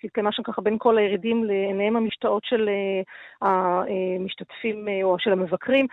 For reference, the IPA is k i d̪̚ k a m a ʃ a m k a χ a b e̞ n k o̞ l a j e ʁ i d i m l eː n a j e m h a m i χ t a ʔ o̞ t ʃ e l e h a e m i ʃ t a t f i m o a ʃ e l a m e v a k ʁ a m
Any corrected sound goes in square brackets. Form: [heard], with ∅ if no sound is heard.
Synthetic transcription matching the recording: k i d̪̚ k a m a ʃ a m k a χ a b e̞ n k o̞ l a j e ʁ i d i m l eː n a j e m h a m i [ʃ] t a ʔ o̞ t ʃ e l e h a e m i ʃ t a t f i m o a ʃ e l a m e v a k ʁ [i] m